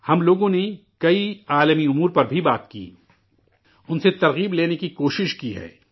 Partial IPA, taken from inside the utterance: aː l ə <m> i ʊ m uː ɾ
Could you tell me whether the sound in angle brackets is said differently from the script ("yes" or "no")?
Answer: no